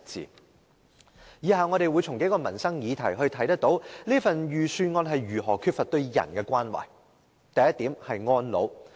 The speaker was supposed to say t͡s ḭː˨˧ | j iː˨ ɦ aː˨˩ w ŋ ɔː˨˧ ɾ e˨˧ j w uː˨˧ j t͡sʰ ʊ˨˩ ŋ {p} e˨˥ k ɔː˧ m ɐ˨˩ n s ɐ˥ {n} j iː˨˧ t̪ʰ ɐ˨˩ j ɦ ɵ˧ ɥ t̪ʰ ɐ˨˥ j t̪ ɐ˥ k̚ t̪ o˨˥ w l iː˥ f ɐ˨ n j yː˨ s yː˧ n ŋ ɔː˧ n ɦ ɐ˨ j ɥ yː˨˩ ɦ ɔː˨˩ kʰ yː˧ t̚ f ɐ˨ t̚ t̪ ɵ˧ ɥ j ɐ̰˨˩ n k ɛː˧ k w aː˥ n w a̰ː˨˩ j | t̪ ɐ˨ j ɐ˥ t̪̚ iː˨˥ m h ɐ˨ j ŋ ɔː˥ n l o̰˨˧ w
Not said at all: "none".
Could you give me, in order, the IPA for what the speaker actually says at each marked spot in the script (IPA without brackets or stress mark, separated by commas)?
k, ŋ